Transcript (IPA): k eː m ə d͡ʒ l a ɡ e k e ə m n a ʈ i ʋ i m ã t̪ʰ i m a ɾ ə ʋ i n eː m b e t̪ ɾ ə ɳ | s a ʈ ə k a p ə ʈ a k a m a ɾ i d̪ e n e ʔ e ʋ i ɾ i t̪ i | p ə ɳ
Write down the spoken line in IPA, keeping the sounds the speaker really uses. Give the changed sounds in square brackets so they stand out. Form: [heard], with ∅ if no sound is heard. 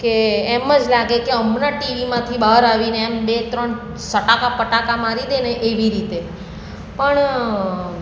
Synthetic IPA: k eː m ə d͡ʒ l a ɡ e k e ə m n a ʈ i ʋ i m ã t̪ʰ i [b] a ɾ [a] ʋ i n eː m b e t̪ ɾ ə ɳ | s [ə] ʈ [a] k a p ə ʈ a k a m a ɾ i d̪ e n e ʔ e ʋ i ɾ i t̪ [e] | p ə ɳ

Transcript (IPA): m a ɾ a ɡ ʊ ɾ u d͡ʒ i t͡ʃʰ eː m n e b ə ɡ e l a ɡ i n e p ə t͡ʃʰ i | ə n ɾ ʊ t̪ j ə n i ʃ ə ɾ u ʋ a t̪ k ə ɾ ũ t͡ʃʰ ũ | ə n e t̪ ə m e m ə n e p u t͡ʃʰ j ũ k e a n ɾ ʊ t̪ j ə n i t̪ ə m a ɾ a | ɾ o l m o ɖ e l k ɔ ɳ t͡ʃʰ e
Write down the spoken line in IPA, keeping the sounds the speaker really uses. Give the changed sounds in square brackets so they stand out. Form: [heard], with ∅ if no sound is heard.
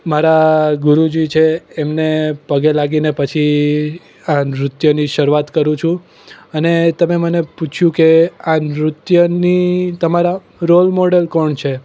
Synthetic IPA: m a ɾ a ɡ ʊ ɾ u d͡ʒ i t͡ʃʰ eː m n e [p] ə ɡ e l a ɡ i n e p ə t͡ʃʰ i | [a] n ɾ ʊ t̪ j ə n i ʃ ə ɾ u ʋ a t̪ k ə ɾ ũ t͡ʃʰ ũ | ə n e t̪ ə m e m ə n e p u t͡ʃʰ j ũ k e a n ɾ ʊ t̪ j ə n i t̪ ə m a ɾ a | ɾ o l m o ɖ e l k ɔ ɳ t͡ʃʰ e

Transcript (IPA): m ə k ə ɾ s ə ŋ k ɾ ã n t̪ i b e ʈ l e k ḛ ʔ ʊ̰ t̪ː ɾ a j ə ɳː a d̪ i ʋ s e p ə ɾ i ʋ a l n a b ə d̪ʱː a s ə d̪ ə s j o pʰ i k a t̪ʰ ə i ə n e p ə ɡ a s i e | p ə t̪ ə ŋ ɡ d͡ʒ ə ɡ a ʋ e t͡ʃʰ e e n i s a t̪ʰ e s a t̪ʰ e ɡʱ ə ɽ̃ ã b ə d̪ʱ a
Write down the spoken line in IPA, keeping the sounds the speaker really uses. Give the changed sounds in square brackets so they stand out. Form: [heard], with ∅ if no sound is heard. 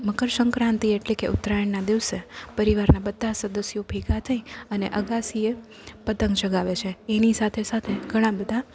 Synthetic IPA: m ə k ə ɾ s ə ŋ k ɾ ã n t̪ i [∅] e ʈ l e k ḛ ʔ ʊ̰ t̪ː ɾ a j ə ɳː a d̪ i ʋ s e p ə ɾ i ʋ a [ɾ] n a b ə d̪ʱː a s ə d̪ ə s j o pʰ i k a t̪ʰ ə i ə n e [ʔ] ə ɡ a s i e | p ə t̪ ə ŋ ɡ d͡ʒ ə ɡ a ʋ e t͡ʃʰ e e n i s a t̪ʰ e s a t̪ʰ e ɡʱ ə ɽ̃ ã b ə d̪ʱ a

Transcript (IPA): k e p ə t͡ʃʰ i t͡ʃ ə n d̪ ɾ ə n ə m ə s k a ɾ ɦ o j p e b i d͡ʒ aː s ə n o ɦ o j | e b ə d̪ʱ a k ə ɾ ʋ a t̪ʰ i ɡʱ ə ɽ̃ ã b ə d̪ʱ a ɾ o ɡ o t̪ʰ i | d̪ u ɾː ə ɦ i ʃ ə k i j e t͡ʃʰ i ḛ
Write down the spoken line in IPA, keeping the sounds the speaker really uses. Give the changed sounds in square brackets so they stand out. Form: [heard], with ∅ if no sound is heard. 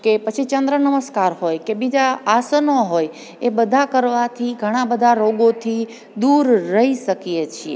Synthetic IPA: k e p ə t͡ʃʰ i t͡ʃ ə n d̪ ɾ ə n ə m ə s k a ɾ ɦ o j [k] e b i d͡ʒ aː s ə n o ɦ o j | e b ə d̪ʱ a k ə ɾ ʋ a t̪ʰ i ɡʱ ə ɽ̃ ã b ə d̪ʱ a ɾ o ɡ o t̪ʰ i | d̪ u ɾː ə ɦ i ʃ ə k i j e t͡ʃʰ i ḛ

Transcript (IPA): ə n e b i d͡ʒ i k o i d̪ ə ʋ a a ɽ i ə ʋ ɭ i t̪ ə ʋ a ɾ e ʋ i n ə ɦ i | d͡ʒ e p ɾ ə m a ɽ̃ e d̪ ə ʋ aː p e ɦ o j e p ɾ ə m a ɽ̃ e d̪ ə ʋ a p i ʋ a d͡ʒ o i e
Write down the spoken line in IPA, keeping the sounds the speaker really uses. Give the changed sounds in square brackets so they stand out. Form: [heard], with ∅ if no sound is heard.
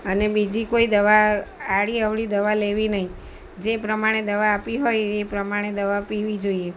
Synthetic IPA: ə n e b i d͡ʒ i k o i d̪ ə ʋ a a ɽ i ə ʋ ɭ i [d̪] ə ʋ a [l] e ʋ i n ə ɦ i | d͡ʒ e p ɾ ə m a ɽ̃ e d̪ ə ʋ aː p [i] ɦ o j e p ɾ ə m a ɽ̃ e d̪ ə ʋ a p i ʋ [i] d͡ʒ o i e

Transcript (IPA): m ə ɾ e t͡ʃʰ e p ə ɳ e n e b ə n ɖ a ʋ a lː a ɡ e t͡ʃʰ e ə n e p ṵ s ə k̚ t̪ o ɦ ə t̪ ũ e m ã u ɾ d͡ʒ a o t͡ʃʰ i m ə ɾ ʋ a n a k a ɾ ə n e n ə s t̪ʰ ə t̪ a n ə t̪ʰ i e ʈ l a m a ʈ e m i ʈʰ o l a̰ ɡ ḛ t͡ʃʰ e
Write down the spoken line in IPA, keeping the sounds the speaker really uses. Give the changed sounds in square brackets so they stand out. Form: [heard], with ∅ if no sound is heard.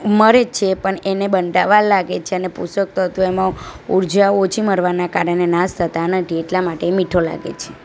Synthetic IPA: m ə ɾ e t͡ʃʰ e p ə ɳ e n e b ə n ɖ a ʋ a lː a ɡ e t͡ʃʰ e ə n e p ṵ s ə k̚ t̪ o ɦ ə t̪ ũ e m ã u ɾ d͡ʒ a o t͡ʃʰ i m ə ɾ ʋ a n a k a ɾ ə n e n [a] s t̪ʰ ə t̪ a n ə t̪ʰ i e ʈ l a m a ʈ e m i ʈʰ o l a̰ ɡ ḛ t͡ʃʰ e

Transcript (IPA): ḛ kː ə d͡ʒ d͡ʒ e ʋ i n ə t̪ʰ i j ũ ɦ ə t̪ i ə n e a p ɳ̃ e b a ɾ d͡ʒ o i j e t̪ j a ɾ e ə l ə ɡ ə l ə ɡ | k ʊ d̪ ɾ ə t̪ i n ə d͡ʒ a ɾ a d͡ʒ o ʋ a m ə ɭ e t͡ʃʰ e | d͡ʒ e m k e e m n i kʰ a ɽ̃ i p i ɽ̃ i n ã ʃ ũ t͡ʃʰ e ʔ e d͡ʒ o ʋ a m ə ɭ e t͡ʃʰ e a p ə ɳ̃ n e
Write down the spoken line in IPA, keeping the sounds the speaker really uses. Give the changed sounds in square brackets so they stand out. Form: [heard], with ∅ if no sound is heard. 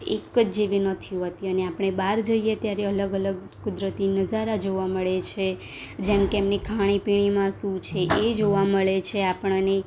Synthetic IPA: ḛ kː ə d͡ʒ d͡ʒ e ʋ i n ə t̪ʰ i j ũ ɦ ə t̪ i ə n e a p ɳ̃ e b a ɾ d͡ʒ o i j e t̪ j a ɾ e ə l ə ɡ ə l ə ɡ | k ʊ d̪ ɾ ə t̪ i n ə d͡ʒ a ɾ a d͡ʒ o ʋ a m ə ɭ e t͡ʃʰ e | d͡ʒ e m k e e m n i kʰ a ɽ̃ i p i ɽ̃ i [m] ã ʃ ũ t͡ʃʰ e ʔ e d͡ʒ o ʋ a m ə ɭ e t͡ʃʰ e a p ə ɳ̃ n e

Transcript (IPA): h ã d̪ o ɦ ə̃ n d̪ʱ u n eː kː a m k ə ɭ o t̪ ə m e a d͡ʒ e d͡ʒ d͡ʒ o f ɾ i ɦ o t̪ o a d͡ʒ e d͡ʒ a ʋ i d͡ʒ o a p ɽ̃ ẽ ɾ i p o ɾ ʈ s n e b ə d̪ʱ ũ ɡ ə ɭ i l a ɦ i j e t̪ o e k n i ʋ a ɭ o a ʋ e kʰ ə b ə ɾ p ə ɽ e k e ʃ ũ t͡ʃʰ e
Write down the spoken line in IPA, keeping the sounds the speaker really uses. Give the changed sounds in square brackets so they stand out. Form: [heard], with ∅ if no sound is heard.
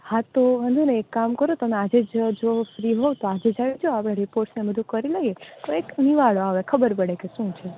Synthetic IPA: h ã [t̪] o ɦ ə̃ n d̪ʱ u n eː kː a m k ə [ɾ] o t̪ ə m e a d͡ʒ e d͡ʒ d͡ʒ o f ɾ i ɦ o t̪ o a d͡ʒ e d͡ʒ a ʋ i d͡ʒ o a p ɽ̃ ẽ ɾ i p o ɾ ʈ s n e b ə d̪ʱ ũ [k] ə [ɾ] i l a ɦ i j e t̪ o e k n i ʋ a ɭ o a ʋ e kʰ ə b ə ɾ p ə ɽ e k e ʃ ũ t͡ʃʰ e

